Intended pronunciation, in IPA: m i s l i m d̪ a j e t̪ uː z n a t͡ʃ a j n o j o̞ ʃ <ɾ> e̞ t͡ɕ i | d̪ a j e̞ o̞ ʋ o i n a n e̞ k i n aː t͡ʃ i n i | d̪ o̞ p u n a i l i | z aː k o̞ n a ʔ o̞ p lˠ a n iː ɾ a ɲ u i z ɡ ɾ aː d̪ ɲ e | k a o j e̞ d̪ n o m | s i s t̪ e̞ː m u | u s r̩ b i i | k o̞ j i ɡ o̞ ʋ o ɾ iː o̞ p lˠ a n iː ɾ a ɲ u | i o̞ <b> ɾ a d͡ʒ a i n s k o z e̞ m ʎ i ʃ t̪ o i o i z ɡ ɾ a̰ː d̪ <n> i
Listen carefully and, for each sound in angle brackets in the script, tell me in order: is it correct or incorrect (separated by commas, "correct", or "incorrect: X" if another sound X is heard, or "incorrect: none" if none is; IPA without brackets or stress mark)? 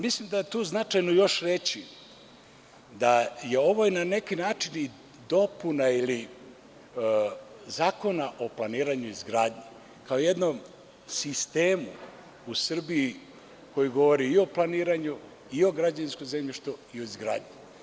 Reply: correct, incorrect: ɡ, incorrect: ɲ